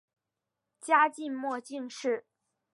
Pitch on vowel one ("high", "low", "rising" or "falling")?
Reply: high